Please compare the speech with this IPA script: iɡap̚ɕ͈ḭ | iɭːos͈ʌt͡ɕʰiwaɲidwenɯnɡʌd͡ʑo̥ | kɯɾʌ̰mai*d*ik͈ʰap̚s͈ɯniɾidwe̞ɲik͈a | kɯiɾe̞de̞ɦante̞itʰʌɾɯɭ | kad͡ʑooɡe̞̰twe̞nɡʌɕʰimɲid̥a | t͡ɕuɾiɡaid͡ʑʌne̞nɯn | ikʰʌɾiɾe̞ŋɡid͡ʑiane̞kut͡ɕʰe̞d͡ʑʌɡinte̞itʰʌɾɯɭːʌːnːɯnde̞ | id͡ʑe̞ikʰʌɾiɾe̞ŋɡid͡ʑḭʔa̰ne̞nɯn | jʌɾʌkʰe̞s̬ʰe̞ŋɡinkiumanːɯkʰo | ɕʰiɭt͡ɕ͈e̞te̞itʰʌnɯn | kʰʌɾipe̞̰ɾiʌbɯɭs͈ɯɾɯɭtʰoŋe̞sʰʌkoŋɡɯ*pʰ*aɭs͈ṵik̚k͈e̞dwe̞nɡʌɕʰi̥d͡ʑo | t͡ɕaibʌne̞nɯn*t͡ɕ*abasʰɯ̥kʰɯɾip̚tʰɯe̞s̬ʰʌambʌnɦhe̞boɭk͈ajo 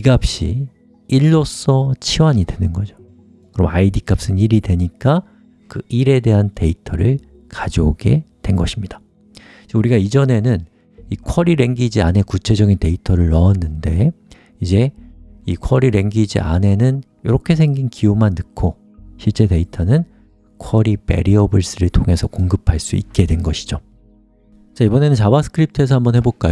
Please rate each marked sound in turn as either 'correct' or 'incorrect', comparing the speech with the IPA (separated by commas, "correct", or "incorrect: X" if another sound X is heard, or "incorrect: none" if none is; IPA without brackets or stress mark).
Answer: correct, correct, correct